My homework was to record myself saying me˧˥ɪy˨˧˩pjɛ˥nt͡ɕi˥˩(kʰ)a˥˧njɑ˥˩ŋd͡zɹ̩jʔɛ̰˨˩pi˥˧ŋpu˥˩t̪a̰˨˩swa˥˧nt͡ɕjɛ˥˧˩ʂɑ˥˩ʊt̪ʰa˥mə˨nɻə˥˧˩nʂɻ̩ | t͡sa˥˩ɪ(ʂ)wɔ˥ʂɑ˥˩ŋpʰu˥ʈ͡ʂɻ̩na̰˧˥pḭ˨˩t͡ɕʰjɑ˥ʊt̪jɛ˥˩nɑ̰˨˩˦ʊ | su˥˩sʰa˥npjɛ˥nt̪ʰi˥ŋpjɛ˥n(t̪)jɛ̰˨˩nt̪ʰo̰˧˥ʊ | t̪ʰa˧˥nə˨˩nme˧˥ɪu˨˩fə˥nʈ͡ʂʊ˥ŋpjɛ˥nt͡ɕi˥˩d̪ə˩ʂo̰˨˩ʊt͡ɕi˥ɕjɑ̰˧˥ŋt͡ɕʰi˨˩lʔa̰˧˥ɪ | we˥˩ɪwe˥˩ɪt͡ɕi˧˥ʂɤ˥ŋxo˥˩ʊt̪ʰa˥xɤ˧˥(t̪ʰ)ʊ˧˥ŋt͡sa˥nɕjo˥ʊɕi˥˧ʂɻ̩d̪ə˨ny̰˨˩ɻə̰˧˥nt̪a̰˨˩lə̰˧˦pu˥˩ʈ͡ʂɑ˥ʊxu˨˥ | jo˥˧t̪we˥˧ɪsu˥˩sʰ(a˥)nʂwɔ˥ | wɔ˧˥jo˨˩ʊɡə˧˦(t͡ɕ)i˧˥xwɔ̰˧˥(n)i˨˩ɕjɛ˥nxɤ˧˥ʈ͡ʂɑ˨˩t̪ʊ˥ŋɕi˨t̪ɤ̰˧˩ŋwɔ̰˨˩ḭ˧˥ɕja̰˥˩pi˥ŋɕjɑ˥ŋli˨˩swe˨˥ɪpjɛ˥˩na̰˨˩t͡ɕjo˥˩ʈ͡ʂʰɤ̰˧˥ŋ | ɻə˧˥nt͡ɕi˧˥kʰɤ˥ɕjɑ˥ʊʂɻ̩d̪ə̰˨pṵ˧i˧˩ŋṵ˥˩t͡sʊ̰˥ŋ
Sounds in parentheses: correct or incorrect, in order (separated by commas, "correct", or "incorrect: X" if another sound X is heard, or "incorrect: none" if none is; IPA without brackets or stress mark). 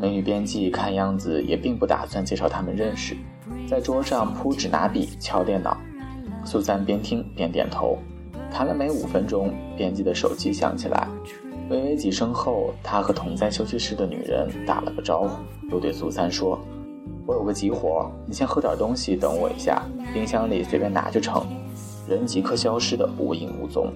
correct, incorrect: ʈ͡ʂ, correct, correct, correct, correct, correct